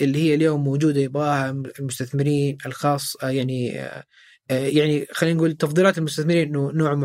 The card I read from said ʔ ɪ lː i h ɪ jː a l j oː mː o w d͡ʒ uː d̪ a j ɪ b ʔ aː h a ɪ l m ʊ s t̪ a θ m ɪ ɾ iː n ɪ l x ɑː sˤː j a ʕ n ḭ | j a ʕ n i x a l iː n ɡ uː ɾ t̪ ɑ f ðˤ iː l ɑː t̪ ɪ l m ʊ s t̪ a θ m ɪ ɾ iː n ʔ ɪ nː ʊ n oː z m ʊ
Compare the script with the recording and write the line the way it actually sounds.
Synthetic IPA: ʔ ɪ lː i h ɪ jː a l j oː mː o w d͡ʒ uː d̪ a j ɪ b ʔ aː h a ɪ l m ʊ s t̪ a θ m ɪ ɾ iː n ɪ l x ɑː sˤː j a ʕ n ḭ | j a ʕ n i x a l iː n ɡ uː l t̪ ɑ f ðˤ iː l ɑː t̪ ɪ l m ʊ s t̪ a θ m ɪ ɾ iː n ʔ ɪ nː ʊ n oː ʕ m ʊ